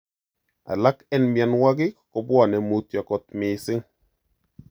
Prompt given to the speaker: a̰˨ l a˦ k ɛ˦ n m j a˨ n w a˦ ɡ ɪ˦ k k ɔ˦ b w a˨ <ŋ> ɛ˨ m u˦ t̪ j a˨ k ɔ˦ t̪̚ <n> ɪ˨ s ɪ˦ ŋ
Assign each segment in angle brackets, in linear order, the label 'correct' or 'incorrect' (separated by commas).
incorrect, incorrect